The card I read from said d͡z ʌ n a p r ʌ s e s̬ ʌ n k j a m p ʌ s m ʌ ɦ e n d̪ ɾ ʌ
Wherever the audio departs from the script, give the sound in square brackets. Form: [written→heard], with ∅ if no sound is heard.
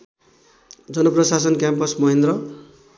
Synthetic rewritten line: d͡z ʌ n [a→ʌ] p r ʌ s [e→a] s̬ ʌ n k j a m p ʌ s m ʌ ɦ e n d̪ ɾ ʌ

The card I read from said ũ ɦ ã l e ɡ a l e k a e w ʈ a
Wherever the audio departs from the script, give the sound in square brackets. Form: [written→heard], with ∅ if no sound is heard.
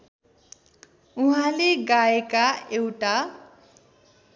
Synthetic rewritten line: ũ ɦ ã l e ɡ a [l→∅] e k a e w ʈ a

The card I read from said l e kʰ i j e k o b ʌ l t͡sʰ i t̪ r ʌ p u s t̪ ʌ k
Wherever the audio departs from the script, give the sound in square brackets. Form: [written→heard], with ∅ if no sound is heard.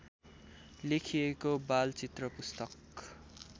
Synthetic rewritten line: l e kʰ i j e k o b [ʌ→a] l [t͡sʰ→t͡s] i t̪ r ʌ p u s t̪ ʌ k

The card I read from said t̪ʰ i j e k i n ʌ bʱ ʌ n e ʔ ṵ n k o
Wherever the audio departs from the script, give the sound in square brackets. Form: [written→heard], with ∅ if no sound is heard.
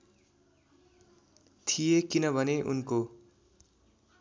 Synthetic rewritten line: t̪ʰ i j e k i n ʌ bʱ ʌ n e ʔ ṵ n k o

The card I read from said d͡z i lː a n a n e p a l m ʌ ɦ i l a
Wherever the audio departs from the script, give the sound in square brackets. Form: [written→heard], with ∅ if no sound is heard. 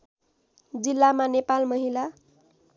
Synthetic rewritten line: d͡z i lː a [n→m] a n e p a l m ʌ ɦ i l a

